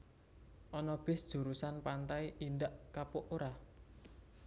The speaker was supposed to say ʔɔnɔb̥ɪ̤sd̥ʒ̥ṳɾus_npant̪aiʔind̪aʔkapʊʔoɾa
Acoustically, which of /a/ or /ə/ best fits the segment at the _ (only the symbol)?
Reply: a